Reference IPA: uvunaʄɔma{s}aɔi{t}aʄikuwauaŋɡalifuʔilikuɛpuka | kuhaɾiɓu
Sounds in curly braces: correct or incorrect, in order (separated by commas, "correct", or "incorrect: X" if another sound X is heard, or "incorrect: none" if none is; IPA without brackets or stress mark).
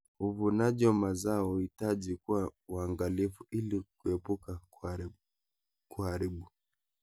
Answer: incorrect: z, correct